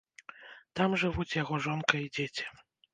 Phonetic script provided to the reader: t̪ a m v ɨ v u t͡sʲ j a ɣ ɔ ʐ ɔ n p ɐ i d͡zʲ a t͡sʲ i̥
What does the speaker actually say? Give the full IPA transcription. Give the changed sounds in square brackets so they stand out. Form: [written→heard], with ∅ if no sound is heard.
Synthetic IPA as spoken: t̪ a m [v→ʐ] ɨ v u t͡sʲ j a ɣ ɔ ʐ ɔ n [p→k] ɐ i d͡zʲ [a→e] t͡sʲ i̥